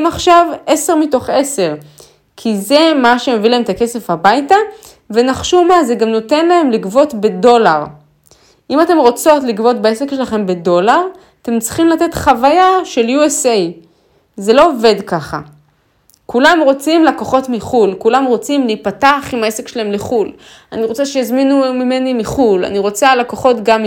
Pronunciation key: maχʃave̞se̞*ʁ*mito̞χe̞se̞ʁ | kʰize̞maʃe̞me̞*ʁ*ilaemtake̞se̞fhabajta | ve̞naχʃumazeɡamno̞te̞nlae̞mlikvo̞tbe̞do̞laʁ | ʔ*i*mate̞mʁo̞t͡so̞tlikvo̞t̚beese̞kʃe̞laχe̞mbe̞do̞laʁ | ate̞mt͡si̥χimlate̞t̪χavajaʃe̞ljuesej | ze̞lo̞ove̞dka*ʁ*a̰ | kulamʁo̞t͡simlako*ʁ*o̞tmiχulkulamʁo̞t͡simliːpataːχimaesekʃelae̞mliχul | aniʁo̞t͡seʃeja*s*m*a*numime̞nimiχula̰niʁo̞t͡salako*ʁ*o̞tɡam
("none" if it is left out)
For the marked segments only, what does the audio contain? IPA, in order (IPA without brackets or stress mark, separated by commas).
ʁ, v, i, χ, χ, z, i, χ